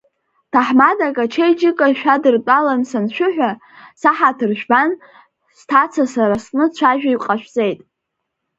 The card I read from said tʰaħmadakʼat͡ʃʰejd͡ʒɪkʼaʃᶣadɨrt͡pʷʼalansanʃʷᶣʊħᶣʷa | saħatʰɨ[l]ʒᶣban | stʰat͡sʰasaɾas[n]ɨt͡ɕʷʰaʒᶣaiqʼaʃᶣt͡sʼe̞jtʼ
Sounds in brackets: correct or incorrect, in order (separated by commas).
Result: incorrect, correct